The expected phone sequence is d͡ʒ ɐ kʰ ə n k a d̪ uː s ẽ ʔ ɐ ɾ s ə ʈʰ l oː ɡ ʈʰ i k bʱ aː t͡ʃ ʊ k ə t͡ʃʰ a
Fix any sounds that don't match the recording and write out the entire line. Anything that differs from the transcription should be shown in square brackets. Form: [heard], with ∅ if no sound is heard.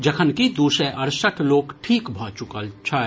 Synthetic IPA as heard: d͡ʒ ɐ kʰ ə n k [i] d̪ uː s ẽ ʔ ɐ ɾ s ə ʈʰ l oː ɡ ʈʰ [iː] k bʱ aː t͡ʃ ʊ k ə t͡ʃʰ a